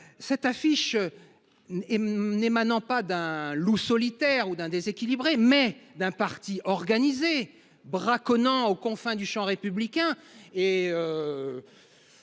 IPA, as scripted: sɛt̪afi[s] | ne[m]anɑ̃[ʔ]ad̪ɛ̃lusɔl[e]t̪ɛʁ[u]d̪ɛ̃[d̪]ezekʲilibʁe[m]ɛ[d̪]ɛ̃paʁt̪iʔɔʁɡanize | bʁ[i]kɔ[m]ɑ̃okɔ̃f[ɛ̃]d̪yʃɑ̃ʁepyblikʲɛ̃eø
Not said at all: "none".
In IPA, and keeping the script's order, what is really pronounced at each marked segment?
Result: ʃ, m, p, i, u, d̪, m, d̪, a, n, ɛ̃

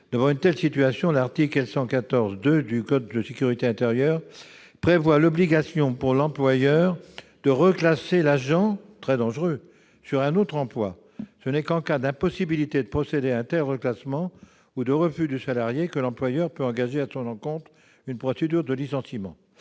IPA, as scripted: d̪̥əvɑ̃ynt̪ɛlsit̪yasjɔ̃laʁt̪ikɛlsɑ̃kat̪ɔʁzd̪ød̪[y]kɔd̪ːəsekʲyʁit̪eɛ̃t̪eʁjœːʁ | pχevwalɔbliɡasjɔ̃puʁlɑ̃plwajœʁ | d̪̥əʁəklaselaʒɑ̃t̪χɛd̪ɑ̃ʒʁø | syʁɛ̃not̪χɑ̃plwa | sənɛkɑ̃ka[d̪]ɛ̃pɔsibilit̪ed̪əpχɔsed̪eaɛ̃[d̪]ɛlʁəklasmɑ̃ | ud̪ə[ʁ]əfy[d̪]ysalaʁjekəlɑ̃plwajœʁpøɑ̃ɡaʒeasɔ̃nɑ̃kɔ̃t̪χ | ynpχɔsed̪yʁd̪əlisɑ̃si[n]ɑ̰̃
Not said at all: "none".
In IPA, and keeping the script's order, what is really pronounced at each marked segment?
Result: y, d̪, t̪, ʁ, d̪, m

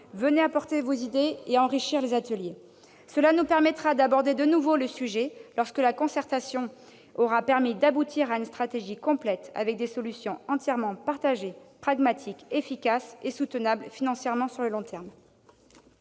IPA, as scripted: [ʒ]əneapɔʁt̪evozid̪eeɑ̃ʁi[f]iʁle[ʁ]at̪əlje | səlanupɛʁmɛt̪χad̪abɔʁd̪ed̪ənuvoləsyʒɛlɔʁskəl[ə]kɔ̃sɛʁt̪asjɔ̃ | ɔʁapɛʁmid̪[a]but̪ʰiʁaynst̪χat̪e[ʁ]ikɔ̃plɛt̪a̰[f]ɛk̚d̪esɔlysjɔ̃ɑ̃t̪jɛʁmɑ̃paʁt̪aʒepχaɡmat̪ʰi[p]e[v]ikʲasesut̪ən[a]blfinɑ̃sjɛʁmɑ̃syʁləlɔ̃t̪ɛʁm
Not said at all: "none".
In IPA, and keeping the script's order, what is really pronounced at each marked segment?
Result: v, ʃ, z, a, a, ʒ, v, k, f, a

